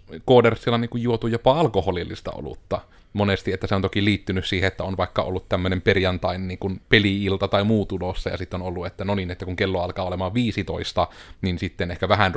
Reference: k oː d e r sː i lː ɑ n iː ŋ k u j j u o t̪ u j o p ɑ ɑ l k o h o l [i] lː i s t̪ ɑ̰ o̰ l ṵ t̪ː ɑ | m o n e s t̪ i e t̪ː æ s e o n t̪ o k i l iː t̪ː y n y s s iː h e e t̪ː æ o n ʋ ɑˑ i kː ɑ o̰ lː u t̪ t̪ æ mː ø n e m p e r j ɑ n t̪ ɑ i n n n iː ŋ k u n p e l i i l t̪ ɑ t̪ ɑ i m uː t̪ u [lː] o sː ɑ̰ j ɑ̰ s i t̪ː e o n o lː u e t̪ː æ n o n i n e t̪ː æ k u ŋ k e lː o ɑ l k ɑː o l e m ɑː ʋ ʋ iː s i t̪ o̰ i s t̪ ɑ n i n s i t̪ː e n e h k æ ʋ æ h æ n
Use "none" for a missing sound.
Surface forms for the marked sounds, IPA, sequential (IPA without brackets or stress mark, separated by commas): i, l